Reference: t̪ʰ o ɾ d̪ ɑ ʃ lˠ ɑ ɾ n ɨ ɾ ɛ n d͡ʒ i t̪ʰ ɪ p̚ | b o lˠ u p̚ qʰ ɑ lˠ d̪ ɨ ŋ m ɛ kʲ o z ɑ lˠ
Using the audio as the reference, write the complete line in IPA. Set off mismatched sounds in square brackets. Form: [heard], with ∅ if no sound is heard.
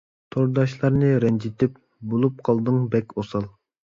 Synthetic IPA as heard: t̪ʰ o ɾ d̪ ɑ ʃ lˠ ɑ ɾ n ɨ ɾ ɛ n d͡ʒ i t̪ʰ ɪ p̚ | b o lˠ u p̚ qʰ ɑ lˠ d̪ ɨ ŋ [b] ɛ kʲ o [s] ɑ lˠ